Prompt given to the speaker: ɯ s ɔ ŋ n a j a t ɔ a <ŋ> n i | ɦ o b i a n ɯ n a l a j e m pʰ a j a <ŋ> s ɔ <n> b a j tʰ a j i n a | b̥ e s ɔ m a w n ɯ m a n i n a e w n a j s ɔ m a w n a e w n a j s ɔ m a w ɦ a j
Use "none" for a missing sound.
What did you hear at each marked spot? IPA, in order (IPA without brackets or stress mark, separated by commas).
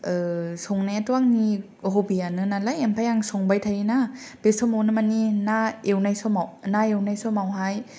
ŋ, ŋ, ŋ